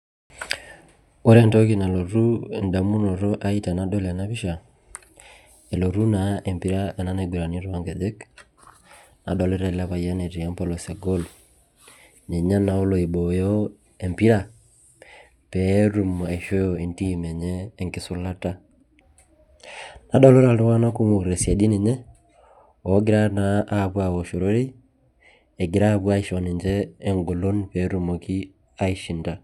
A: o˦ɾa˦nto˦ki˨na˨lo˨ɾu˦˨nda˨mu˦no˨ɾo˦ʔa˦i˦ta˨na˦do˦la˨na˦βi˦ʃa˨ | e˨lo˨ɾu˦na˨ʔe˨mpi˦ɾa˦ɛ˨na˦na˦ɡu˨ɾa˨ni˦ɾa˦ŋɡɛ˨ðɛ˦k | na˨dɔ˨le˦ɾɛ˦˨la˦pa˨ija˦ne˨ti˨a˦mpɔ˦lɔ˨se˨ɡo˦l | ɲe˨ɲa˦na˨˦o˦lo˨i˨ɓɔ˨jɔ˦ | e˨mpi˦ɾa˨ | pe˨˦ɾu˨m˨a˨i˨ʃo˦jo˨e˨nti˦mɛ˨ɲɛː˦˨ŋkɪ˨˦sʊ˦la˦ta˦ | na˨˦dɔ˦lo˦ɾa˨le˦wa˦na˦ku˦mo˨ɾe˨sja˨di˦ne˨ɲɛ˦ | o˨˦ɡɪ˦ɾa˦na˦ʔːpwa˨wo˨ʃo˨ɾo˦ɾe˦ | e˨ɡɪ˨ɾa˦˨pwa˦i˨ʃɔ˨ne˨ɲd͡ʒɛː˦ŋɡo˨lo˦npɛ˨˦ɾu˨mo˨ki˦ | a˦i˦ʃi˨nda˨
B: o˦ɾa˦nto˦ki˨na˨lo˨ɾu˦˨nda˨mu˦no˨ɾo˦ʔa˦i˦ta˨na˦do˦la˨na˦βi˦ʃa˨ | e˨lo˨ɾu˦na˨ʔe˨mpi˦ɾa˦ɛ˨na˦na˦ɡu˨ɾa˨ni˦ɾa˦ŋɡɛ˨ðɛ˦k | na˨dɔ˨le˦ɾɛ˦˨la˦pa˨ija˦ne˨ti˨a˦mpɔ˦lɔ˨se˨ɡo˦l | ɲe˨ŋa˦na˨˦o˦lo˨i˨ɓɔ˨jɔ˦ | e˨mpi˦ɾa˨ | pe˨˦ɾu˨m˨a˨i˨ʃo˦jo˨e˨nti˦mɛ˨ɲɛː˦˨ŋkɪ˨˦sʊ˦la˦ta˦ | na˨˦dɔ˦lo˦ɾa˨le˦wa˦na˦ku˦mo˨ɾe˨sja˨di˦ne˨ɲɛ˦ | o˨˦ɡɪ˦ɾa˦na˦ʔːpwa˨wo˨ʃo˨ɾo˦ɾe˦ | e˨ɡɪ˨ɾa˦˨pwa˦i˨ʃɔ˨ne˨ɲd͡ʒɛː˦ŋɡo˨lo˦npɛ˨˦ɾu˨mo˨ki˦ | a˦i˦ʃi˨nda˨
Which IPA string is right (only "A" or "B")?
A